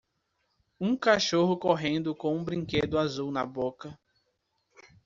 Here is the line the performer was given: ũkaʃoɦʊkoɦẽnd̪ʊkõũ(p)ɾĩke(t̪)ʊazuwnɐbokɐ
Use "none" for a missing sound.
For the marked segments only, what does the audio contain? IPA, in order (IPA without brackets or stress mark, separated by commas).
b, d̪